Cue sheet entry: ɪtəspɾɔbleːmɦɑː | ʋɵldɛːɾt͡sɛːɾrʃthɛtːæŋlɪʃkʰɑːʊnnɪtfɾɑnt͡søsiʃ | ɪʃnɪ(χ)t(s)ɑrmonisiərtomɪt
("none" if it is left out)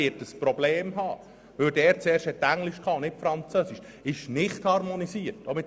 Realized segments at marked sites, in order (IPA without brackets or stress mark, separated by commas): χ, h